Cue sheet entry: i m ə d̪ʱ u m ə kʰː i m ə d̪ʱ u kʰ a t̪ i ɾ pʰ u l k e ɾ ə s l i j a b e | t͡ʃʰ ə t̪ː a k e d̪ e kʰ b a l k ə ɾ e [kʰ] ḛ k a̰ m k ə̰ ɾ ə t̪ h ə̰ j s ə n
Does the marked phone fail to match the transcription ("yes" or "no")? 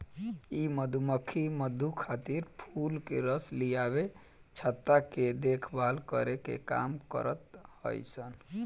yes